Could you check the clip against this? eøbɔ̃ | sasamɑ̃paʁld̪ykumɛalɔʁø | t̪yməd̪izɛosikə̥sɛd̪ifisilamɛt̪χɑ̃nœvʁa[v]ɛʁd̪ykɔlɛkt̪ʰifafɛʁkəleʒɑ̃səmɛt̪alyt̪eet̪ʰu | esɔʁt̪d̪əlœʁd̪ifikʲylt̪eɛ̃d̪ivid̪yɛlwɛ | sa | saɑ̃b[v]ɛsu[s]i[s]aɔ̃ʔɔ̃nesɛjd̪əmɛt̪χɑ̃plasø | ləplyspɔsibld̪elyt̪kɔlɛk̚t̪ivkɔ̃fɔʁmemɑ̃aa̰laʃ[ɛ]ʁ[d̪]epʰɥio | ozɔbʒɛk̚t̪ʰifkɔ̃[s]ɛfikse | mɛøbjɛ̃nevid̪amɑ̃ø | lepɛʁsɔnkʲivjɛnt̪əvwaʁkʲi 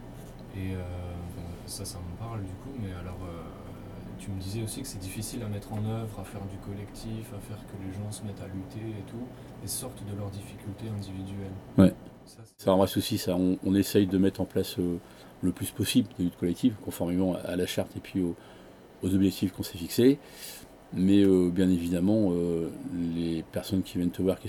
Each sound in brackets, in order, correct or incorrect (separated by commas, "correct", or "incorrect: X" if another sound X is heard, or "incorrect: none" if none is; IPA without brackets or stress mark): incorrect: f, incorrect: ʁ, correct, correct, incorrect: a, incorrect: t̪, correct